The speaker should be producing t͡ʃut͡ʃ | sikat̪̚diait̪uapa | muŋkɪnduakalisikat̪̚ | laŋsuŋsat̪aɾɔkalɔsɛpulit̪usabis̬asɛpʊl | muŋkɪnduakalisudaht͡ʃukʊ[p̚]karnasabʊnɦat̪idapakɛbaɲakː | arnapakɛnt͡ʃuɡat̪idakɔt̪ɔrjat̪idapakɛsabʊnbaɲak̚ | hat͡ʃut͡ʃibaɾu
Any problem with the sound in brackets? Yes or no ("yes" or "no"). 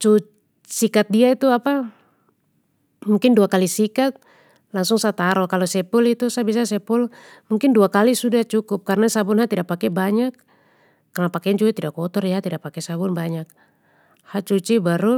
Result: no